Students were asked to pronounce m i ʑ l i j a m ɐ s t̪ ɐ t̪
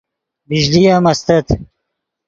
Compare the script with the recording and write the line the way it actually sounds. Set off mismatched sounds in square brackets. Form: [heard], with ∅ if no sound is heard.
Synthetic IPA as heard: [b] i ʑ l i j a m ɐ s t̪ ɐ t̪

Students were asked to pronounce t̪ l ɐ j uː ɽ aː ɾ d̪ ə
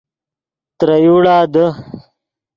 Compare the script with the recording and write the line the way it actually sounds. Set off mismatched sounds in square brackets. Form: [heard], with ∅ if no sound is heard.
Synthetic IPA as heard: t̪ [ɾ] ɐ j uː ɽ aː [∅] d̪ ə

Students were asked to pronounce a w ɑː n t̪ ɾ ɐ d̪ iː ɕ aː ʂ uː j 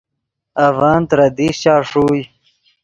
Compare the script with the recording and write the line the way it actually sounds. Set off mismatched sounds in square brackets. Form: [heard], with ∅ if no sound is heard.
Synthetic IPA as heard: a [v] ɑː n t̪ ɾ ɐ d̪ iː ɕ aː ʂ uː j

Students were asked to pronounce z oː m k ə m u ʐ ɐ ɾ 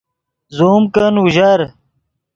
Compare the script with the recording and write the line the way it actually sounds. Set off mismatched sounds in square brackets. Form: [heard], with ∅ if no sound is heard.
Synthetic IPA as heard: z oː m k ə [n] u [ʑ] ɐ ɾ

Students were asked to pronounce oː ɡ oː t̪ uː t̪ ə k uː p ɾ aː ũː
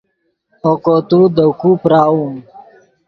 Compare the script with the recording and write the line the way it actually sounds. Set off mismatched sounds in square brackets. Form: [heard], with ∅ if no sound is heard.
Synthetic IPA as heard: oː [k] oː t̪ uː [d̪] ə k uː p ɾ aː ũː

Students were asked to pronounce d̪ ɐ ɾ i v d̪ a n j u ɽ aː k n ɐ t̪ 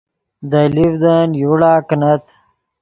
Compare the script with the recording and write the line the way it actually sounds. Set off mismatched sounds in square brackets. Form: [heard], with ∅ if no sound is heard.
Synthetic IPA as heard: d̪ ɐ [l] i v d̪ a n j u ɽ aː k n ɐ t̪

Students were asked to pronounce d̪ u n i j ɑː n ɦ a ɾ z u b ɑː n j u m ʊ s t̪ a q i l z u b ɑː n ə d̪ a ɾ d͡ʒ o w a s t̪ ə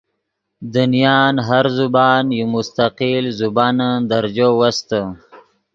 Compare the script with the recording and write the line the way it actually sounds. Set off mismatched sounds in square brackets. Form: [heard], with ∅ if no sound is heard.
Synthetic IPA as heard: d̪ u n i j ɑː n ɦ a ɾ z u b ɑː n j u m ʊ s t̪ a q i l z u b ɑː n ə d̪ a ɾ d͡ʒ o w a s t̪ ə

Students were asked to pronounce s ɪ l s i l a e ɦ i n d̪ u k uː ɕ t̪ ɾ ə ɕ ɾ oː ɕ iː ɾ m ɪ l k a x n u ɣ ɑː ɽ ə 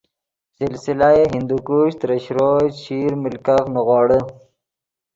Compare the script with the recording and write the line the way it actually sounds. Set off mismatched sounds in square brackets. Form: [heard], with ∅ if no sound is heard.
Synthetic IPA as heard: s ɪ l s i l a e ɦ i n d̪ u k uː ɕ t̪ ɾ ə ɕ ɾ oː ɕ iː ɾ m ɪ l k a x n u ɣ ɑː ɽ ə

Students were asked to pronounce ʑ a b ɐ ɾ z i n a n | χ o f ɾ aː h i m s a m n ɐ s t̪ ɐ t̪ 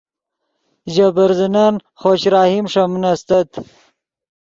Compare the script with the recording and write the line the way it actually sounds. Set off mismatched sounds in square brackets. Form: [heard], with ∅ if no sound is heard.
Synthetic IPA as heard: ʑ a b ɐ ɾ z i n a n | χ o [ɕ] ɾ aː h i m [ʂ] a m n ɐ s t̪ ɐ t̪

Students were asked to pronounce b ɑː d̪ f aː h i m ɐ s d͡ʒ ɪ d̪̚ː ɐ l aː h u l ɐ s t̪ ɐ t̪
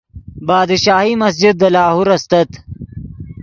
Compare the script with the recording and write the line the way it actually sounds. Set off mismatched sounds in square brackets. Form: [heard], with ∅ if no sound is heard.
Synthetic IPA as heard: b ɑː d̪ [ʃ] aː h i m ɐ s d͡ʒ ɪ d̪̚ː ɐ l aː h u [ɾ] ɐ s t̪ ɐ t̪

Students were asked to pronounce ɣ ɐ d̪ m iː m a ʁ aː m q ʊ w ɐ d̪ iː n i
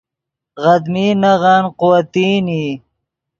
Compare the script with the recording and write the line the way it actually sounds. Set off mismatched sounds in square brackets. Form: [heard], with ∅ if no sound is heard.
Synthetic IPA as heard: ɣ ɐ d̪ m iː [n] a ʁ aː [n] q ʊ w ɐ [t̪] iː n i

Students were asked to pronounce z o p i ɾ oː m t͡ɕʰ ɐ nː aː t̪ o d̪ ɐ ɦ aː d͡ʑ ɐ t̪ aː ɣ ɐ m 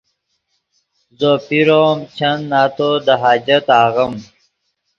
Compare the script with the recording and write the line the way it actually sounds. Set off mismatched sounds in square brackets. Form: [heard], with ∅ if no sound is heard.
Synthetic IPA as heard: z o p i ɾ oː m t͡ɕʰ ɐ nː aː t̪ o d̪ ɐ ɦ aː d͡ʑ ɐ t̪ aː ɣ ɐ m

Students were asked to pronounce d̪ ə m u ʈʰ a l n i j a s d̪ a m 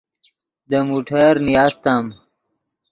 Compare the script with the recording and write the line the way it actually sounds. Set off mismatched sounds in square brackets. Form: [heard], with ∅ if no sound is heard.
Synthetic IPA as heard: d̪ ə m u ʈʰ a [ɾ] n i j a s [t̪] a m

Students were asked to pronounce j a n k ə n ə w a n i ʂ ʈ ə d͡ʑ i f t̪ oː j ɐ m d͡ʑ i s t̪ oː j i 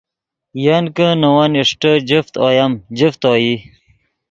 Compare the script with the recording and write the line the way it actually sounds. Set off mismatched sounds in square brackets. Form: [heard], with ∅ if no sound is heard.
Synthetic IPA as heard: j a n k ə n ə w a n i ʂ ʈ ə d͡ʑ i f t̪ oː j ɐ m d͡ʑ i [f] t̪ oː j i

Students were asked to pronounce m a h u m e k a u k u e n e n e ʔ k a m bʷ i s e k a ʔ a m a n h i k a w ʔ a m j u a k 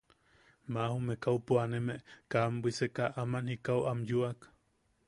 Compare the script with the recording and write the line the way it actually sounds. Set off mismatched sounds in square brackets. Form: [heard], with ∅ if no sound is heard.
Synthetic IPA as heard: m a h u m e k a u [p] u [a] n e [m] e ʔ k a m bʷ i s e k a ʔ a m a n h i k a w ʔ a m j u a k

